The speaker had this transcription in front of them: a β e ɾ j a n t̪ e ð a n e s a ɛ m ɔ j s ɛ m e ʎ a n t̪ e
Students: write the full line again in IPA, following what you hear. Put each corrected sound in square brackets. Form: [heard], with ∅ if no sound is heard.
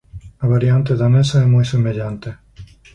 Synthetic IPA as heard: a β [a] ɾ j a n t̪ e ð a n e s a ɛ m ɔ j s [e] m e ʎ a n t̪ e